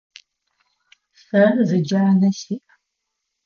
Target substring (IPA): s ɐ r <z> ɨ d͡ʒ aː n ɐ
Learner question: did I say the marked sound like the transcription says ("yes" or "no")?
yes